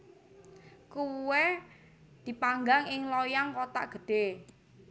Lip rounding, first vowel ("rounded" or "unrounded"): rounded